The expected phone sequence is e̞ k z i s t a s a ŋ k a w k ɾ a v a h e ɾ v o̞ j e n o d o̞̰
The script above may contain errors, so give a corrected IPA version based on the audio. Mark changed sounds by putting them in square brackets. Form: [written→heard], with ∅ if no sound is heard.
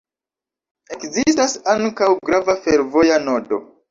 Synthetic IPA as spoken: e̞ k z i s t a s a ŋ k a w [k→ɡ] ɾ a v a [h→f] e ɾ v o̞ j [e→a] n o d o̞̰